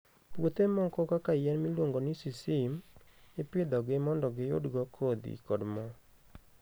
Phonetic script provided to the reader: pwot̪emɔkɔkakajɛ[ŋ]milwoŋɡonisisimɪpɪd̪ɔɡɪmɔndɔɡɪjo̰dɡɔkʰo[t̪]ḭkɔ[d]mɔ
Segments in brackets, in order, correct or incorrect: incorrect, incorrect, correct

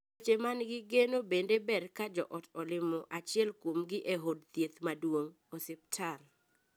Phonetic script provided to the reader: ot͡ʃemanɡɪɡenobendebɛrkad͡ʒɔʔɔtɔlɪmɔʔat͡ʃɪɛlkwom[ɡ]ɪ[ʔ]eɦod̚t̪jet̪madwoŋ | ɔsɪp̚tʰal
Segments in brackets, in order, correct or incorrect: correct, correct

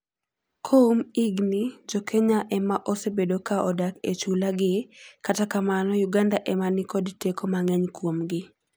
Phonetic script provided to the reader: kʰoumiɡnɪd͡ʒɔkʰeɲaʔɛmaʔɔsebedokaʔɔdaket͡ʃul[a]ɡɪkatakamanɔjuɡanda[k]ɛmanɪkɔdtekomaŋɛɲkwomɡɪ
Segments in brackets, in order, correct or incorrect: correct, incorrect

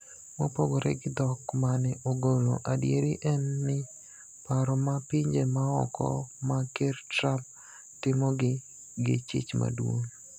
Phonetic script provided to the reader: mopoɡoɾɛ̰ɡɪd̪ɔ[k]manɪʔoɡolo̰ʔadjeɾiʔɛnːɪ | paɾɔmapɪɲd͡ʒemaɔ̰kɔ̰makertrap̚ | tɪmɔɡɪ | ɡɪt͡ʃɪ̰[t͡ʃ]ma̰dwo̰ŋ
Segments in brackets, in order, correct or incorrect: correct, correct

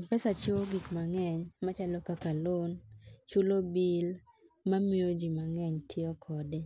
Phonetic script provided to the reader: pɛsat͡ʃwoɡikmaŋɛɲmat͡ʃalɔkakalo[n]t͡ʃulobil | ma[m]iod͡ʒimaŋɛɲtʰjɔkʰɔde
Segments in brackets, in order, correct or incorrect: correct, correct

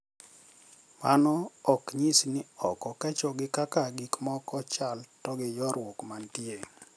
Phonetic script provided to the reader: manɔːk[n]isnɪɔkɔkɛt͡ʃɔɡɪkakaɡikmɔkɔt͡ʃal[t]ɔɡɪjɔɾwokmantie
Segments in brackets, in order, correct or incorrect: incorrect, correct

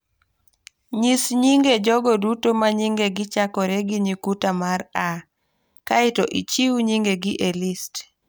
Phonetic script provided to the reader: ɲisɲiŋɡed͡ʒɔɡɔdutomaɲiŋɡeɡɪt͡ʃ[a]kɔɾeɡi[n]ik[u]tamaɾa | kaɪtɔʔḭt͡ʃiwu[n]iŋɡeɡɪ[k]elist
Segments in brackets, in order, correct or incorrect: correct, incorrect, correct, incorrect, incorrect

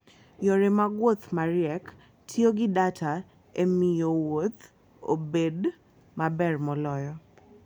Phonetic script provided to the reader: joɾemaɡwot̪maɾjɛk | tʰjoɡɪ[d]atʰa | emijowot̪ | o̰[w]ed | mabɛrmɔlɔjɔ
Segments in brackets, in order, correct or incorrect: correct, incorrect

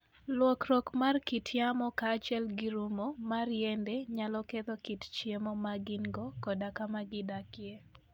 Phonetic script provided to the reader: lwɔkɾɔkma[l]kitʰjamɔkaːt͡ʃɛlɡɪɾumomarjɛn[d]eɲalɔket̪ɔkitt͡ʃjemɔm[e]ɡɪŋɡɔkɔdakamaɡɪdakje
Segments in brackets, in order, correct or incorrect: incorrect, correct, incorrect

